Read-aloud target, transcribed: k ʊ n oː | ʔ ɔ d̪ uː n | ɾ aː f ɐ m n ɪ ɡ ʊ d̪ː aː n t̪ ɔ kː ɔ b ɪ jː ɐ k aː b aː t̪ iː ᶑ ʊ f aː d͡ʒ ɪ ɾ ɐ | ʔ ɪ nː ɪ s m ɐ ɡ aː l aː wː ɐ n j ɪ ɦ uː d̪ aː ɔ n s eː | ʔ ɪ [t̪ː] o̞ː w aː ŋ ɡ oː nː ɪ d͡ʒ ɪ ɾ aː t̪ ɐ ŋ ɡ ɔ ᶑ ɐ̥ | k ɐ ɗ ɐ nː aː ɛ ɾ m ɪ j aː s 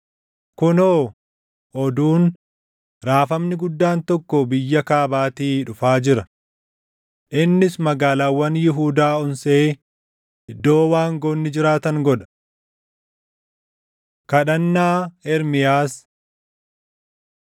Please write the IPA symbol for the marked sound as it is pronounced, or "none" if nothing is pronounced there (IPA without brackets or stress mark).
d̪ː